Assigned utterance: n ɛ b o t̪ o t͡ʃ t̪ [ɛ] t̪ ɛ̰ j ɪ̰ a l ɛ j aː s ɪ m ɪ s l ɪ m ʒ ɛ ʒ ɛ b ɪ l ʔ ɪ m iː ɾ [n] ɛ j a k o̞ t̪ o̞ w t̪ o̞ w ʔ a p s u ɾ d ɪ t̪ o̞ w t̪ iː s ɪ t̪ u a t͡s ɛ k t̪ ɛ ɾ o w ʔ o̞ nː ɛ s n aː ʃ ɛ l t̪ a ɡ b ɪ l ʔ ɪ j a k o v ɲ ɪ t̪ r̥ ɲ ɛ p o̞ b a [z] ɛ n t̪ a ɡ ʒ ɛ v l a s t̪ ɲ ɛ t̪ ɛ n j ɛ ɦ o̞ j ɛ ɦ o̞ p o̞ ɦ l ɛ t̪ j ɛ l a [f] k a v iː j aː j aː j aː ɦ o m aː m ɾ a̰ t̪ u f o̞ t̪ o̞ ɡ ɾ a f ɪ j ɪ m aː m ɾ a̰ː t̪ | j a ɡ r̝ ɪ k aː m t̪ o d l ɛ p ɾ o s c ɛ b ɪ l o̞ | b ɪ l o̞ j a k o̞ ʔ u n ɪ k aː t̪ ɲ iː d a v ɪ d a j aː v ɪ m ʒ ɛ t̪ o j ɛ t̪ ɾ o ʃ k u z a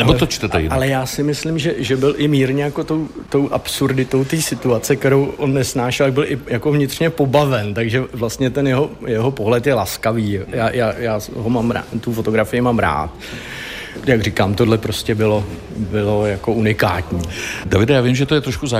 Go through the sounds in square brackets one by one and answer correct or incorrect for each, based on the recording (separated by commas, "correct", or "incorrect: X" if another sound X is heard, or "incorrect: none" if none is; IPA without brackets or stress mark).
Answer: correct, incorrect: ɲ, incorrect: v, incorrect: s